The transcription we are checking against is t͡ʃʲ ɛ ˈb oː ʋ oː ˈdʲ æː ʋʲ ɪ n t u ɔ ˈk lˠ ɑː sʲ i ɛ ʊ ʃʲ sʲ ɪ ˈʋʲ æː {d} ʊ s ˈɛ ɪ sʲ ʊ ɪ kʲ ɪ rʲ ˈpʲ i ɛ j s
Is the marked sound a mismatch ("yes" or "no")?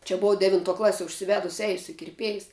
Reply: no